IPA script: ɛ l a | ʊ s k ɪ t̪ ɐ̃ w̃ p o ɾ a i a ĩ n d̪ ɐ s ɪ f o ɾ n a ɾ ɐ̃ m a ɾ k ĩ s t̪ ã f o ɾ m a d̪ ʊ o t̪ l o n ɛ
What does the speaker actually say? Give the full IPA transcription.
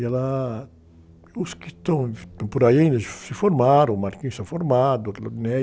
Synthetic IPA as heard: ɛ l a | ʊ s k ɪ t̪ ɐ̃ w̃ p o ɾ a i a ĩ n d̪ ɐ s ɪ f o ɾ m a ɾ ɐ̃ m a ɾ k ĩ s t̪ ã f o ɾ m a d̪ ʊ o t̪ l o n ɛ